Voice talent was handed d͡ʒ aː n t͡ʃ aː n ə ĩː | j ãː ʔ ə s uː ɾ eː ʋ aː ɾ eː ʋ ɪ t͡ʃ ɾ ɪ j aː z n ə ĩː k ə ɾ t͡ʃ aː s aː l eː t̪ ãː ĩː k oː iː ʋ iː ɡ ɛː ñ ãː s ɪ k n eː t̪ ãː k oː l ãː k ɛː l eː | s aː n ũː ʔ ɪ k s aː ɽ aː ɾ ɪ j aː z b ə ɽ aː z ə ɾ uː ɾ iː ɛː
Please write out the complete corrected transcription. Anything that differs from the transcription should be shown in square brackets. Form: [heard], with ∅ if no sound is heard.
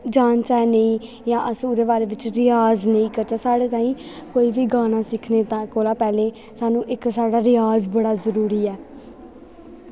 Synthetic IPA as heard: d͡ʒ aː n t͡ʃ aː n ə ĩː | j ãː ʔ ə s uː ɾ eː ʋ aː ɾ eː ʋ ɪ t͡ʃ ɾ ɪ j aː z n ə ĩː k ə ɾ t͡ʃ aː s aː [ɽ] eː t̪ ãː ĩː k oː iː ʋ iː ɡ [aː] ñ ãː s ɪ [kʰ] n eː t̪ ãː k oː l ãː [p] ɛː l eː | s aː n ũː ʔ ɪ k s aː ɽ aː ɾ ɪ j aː z b ə ɽ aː z ə ɾ uː ɾ iː ɛː